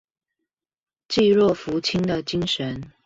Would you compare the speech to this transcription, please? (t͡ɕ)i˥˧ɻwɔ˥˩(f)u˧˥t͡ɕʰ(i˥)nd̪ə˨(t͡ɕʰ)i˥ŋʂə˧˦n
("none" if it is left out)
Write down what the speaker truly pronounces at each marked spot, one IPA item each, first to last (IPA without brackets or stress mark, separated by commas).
t͡ɕ, f, i˥, t͡ɕ